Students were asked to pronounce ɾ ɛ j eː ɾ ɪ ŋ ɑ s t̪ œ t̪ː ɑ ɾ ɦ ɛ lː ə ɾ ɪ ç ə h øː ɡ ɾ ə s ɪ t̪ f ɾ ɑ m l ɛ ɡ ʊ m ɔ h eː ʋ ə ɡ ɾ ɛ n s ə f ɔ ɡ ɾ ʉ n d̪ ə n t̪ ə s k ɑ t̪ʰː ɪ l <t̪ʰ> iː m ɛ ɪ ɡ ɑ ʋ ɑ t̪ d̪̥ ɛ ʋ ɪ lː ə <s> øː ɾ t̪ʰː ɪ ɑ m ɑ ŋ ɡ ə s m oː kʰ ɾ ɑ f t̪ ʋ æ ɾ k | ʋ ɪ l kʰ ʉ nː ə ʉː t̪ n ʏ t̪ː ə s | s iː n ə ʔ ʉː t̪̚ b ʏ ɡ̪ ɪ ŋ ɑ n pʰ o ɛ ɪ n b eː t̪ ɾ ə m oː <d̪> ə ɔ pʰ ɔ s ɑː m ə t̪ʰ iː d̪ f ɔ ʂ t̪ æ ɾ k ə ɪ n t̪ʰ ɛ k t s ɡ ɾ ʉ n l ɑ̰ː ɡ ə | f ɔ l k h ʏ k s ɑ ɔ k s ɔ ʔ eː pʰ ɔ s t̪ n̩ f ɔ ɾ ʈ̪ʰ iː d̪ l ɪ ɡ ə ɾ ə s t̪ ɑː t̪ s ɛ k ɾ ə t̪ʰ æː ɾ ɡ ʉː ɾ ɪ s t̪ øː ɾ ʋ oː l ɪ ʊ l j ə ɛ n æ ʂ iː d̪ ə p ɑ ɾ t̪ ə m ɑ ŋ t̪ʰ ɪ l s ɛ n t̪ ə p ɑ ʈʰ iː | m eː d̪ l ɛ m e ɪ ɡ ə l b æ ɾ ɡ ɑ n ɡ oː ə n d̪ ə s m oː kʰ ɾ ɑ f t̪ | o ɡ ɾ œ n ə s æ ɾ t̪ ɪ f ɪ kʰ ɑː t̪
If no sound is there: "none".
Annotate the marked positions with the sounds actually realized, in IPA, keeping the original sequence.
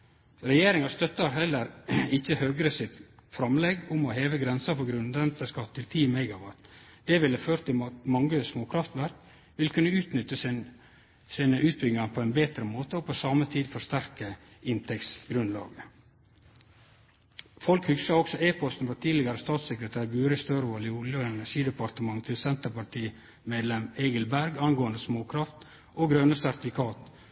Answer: t̪ʰ, f, t̪

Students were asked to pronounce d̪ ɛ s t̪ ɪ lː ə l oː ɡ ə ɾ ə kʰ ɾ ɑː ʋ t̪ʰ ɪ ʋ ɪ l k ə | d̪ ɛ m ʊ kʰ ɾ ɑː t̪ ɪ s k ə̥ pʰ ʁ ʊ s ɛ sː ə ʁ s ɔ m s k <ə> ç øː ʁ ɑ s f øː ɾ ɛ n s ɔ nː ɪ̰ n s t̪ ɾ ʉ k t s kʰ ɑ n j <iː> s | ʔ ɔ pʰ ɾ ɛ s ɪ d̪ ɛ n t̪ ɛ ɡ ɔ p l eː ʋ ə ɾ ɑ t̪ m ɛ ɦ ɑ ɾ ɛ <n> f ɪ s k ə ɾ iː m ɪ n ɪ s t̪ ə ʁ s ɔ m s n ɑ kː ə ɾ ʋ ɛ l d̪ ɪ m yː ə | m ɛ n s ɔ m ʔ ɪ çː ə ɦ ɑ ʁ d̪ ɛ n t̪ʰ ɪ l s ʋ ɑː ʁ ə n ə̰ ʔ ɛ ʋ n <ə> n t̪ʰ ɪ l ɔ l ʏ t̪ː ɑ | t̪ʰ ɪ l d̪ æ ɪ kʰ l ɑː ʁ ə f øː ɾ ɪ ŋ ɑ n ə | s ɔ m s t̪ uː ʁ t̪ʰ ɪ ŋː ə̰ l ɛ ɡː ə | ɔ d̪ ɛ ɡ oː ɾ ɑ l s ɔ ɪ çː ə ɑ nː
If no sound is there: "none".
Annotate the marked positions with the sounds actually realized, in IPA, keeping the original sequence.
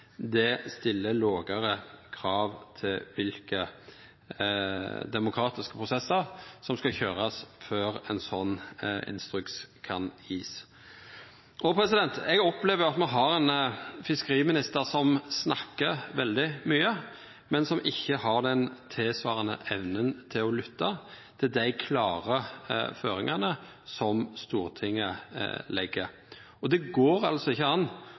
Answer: ɑ, iː, n, ə

